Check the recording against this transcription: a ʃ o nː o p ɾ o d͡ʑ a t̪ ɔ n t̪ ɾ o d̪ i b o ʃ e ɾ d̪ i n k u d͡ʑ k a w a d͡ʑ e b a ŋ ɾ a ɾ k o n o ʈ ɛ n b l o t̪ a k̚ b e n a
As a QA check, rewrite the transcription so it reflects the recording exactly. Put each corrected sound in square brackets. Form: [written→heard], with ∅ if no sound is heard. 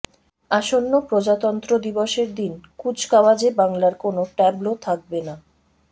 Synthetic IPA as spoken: a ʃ o nː o p ɾ o d͡ʑ a t̪ ɔ n t̪ ɾ o d̪ i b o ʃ e ɾ d̪ i n k u d͡ʑ k a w a d͡ʑ e b a ŋ [ɾ→l] a ɾ k o n o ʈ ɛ [n→∅] b l o [t̪→t̪ʰ] a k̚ b e n a